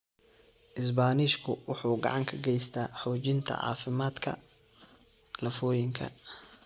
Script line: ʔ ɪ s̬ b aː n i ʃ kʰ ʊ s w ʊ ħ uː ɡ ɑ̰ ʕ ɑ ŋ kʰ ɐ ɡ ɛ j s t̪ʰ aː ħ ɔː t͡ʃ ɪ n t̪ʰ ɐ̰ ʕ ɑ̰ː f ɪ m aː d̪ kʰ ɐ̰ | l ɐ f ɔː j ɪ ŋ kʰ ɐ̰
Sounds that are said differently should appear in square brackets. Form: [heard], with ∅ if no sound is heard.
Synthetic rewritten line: ʔ ɪ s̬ b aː n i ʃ kʰ ʊ [∅] w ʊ ħ uː ɡ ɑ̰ ʕ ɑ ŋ kʰ ɐ ɡ ɛ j s t̪ʰ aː ħ ɔː t͡ʃ ɪ n t̪ʰ ɐ̰ ʕ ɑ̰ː f ɪ m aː d̪ kʰ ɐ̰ | l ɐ f ɔː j ɪ ŋ kʰ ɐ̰